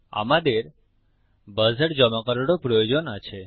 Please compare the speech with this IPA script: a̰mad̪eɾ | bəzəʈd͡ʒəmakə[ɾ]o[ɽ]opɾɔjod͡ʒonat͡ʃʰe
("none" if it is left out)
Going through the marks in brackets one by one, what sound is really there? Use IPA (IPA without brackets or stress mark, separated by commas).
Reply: ɾ, ɽ